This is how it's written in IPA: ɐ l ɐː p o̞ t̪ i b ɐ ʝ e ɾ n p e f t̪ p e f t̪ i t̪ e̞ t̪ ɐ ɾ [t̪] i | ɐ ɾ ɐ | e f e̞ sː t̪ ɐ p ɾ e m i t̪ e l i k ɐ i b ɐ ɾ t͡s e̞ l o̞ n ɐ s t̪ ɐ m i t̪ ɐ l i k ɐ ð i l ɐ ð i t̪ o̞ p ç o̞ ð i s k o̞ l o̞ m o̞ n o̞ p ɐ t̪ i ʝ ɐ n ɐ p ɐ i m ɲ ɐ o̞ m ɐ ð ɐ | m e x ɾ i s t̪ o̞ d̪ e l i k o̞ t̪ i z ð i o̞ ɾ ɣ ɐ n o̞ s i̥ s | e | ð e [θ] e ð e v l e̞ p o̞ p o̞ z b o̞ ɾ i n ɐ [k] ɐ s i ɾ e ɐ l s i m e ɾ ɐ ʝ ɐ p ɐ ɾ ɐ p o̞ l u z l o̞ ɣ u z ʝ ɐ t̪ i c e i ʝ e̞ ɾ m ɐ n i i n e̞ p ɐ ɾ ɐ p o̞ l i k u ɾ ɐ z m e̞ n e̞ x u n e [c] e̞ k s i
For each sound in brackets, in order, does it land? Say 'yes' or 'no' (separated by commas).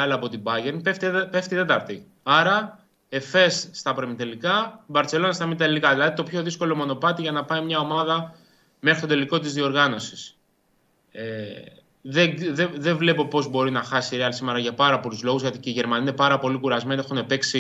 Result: yes, no, no, no